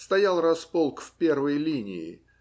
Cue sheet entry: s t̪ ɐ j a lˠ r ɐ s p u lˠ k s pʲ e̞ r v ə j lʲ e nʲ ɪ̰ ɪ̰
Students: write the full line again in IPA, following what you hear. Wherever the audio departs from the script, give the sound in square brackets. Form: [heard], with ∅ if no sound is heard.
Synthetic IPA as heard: s t̪ ɐ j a lˠ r ɐ s p [o] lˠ k [f] pʲ e̞ r v ə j lʲ [i] nʲ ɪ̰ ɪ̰